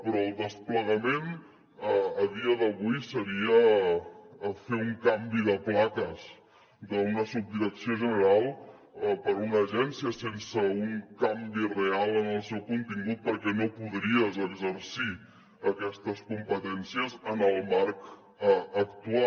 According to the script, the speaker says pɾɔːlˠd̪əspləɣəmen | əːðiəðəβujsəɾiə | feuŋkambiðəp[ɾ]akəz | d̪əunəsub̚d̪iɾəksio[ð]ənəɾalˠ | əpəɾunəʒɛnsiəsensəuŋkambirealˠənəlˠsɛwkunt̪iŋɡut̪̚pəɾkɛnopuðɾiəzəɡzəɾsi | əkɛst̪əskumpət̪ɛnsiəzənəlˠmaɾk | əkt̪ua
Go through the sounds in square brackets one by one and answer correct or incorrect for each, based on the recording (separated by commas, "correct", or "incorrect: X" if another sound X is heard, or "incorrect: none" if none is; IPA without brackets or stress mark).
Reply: incorrect: l, incorrect: ʒ